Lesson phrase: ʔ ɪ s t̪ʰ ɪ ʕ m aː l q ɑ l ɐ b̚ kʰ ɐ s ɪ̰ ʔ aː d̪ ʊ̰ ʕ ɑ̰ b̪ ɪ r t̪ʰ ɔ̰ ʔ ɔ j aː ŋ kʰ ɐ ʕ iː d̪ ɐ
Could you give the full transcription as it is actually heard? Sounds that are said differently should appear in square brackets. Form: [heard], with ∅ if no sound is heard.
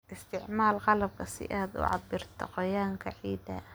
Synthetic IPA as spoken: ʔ ɪ s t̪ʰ ɪ ʕ m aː l q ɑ l ɐ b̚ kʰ ɐ s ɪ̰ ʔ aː d̪ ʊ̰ ʕ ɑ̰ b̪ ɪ r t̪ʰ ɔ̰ [q] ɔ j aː ŋ kʰ ɐ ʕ iː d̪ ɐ